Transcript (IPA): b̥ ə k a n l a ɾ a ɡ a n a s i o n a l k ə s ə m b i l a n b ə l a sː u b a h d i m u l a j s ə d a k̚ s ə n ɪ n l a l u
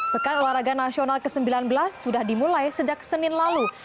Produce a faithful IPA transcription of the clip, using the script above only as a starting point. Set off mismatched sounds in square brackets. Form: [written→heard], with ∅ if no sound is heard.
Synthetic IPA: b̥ ə k a n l a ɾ a ɡ a n a s i o n a l k ə s ə m b i l a n b ə l a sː u [b→d] a h d i m u l a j s ə [d→d͡ʒ] a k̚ s ə n ɪ n l a l u